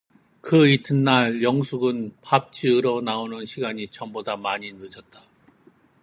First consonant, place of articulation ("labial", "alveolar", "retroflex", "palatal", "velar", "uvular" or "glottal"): velar